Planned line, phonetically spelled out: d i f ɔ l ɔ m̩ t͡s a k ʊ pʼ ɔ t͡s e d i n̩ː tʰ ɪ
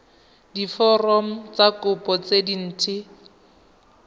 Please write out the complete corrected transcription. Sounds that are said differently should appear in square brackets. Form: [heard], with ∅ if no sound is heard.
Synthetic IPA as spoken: d i f ɔ [r] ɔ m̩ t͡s a k ʊ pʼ ɔ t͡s e d i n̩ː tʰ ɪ